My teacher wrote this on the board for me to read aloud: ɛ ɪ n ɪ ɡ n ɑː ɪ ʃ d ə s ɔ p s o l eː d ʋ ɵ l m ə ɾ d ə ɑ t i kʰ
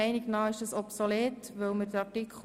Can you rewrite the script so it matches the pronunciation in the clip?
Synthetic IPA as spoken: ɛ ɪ n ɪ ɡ n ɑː ɪ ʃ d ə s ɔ p s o l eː t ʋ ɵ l m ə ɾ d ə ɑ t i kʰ